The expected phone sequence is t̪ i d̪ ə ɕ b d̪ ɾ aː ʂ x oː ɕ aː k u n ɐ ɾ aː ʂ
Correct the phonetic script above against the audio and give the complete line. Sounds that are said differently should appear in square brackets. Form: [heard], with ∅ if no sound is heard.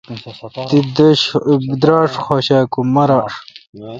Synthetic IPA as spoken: t̪ i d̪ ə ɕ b d̪ ɾ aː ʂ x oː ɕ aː k u [m] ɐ ɾ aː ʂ